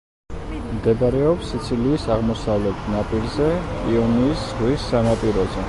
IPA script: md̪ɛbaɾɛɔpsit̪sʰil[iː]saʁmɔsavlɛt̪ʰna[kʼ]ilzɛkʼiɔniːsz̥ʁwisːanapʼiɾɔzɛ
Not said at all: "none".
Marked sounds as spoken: iː, pʼ

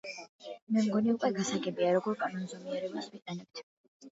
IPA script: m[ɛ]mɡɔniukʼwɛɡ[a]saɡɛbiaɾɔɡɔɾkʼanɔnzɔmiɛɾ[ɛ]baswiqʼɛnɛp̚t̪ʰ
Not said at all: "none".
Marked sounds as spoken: ɛ, a, ɛ

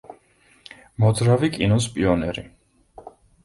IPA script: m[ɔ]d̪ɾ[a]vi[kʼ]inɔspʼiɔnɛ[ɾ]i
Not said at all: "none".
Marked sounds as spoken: ɔ, a, kʼ, ɾ

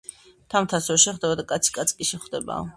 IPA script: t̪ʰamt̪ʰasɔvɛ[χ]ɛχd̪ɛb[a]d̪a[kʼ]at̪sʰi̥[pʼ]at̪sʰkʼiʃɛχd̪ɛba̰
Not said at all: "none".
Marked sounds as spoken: ʃ, a, kʼ, kʼ

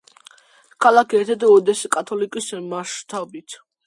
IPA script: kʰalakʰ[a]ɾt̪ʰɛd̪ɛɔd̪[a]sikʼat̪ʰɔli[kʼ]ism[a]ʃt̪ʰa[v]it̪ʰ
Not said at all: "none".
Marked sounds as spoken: ɛ, ɛ, kʼ, a, b

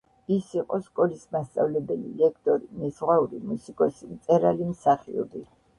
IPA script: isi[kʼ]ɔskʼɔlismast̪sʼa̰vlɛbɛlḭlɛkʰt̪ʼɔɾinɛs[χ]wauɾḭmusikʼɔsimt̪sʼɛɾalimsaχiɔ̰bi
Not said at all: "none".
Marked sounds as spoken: qʼ, ʁ

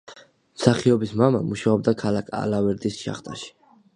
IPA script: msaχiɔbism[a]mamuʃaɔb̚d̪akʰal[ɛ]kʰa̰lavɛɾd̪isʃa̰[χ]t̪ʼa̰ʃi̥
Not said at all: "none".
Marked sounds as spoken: a, a, χ

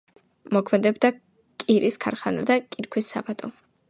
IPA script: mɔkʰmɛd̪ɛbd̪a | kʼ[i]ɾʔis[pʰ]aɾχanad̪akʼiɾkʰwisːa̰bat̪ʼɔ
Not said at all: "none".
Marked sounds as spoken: i, kʰ

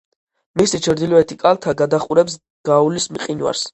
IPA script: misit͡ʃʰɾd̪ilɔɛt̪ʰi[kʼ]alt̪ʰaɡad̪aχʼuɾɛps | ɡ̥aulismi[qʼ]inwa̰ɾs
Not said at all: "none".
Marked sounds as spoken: kʼ, qʼ

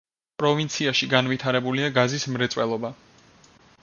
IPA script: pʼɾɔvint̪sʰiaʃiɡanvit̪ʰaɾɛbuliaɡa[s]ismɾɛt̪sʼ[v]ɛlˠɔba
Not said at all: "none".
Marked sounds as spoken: z, w

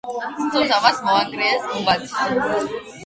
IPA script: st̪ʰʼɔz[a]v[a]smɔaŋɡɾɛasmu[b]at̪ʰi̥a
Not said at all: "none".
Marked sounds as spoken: a, a, b

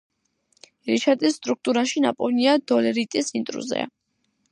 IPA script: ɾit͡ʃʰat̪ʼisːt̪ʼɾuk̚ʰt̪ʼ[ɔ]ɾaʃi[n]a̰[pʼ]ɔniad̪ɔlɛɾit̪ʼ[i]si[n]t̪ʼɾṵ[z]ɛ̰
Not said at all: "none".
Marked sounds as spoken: u, n, pʼ, i, n, z

